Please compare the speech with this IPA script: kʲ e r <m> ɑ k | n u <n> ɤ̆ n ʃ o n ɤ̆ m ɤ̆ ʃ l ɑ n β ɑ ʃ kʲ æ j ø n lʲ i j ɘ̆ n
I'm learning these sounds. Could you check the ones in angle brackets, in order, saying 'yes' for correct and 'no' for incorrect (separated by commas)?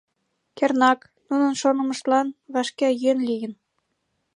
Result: no, yes